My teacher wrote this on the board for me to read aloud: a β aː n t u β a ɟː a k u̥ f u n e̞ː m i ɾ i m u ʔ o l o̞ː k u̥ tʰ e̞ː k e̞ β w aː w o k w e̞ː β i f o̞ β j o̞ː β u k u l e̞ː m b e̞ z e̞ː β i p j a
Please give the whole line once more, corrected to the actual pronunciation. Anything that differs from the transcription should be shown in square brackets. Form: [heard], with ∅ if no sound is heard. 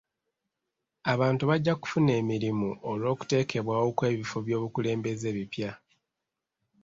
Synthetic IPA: a β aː n t u β a ɟː a k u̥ f u n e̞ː m i ɾ i m u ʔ o l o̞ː k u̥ [t] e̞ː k e̞ β w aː w o k w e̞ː β i f o̞ β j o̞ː β u k u l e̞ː m b e̞ z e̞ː β i p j a